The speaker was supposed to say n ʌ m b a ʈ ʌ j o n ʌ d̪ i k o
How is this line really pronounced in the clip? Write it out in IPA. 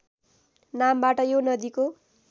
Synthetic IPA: n a m b a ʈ ʌ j o n ʌ d̪ i k o